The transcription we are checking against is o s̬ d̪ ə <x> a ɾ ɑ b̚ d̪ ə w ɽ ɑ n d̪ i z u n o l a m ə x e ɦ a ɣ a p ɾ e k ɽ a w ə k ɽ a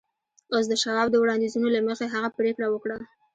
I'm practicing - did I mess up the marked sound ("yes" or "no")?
yes